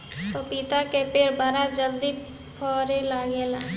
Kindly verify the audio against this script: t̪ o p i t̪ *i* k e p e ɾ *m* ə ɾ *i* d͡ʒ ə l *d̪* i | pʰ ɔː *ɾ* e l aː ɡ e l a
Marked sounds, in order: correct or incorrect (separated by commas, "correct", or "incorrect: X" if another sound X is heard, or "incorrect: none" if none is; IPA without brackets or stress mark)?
incorrect: a, incorrect: b, incorrect: a, correct, correct